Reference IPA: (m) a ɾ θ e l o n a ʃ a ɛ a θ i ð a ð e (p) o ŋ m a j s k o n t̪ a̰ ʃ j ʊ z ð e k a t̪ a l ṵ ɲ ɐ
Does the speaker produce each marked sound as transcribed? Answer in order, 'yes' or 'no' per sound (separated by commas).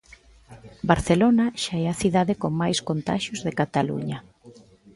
no, no